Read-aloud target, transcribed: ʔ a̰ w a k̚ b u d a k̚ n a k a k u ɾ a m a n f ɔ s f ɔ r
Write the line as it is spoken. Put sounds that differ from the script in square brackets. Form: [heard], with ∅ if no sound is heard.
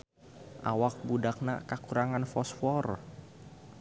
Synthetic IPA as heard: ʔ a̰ w a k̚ b u d a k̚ n a k a k u ɾ a [ŋ] a n f ɔ s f ɔ r